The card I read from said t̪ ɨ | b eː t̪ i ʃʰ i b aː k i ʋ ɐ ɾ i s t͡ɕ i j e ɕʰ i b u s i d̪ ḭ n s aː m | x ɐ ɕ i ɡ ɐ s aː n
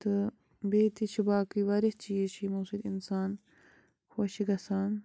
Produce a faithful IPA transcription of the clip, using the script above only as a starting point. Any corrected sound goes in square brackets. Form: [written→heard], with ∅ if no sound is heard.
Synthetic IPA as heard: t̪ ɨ | b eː t̪ i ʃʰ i b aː k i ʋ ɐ ɾ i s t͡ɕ i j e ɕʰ i [b→m] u s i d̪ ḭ n s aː [m→n] | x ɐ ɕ i ɡ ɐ s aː n